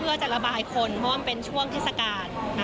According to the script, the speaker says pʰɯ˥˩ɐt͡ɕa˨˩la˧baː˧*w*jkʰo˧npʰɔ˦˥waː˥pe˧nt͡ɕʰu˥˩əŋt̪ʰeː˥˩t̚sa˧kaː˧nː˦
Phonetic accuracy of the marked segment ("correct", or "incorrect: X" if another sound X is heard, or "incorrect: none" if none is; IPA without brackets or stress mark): incorrect: none